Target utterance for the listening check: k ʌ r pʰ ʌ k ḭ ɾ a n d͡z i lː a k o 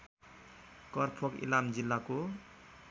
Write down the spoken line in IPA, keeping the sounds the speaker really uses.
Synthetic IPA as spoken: k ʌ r pʰ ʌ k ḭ l a m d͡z i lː a k o